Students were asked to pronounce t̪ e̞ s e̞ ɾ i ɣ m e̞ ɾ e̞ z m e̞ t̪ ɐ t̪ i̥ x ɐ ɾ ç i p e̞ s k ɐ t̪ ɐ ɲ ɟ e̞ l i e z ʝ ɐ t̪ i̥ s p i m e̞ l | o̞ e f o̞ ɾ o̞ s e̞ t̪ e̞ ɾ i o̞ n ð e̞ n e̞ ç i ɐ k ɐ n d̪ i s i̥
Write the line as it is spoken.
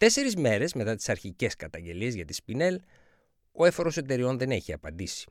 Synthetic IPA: t̪ e̞ s e̞ ɾ i z m e̞ ɾ e̞ z m e̞ t̪ ɐ t̪ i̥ s ɐ ɾ ç i c e̞ s k ɐ t̪ ɐ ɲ ɟ e̞ l i e z ʝ ɐ t̪ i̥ s p i n e̞ l | o̞ e f o̞ ɾ o̞ s e̞ t̪ e̞ ɾ i o̞ n ð e̞ n e̞ ç i ɐ p ɐ n d̪ i s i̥